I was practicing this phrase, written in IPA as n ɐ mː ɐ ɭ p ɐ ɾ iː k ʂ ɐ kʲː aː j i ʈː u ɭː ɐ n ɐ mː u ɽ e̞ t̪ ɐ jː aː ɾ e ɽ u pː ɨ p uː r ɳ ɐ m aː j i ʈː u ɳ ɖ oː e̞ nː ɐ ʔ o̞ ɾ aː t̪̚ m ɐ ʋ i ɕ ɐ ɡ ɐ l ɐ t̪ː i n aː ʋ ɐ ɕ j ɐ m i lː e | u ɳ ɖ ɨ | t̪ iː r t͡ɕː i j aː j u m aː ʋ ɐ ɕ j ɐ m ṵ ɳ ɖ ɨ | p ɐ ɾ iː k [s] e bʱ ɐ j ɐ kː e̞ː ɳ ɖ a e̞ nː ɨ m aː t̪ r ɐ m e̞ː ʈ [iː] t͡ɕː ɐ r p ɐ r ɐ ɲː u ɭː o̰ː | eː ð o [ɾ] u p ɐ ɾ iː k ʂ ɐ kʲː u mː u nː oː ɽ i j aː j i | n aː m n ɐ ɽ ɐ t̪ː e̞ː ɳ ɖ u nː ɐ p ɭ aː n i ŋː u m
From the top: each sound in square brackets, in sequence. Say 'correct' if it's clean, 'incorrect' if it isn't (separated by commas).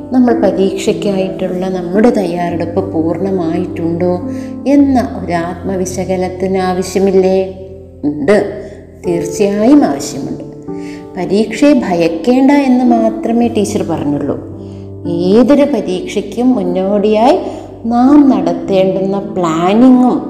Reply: incorrect, correct, correct